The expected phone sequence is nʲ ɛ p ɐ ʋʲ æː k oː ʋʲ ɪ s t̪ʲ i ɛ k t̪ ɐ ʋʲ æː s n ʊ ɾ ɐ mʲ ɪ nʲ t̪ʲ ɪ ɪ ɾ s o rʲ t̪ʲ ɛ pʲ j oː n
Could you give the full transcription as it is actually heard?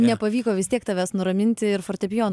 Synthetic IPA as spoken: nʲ ɛ p ɐ ʋʲ iː k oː ʋʲ ɪ s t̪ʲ i ɛ k t̪ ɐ ʋʲ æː s n ʊ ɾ ɐ mʲ ɪ nʲ t̪ʲ ɪ ɪ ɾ f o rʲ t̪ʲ ɛ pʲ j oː n